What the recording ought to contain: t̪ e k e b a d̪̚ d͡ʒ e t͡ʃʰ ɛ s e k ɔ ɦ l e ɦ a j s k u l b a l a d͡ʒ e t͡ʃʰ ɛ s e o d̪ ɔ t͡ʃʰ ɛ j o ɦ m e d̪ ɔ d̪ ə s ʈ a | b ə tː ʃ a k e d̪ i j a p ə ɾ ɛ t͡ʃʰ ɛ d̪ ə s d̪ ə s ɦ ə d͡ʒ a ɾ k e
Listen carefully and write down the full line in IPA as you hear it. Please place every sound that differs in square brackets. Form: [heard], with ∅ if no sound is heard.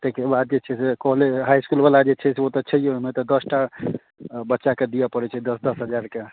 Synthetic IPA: t̪ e k e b a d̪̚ d͡ʒ e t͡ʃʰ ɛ s e k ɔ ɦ l e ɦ a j s k u l b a l a d͡ʒ e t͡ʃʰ ɛ s e o [t̪] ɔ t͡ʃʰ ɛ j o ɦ m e [t̪] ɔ d̪ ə s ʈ a | b ə tː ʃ a k e d̪ i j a p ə ɾ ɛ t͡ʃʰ ɛ d̪ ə s d̪ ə s ɦ ə d͡ʒ a ɾ k e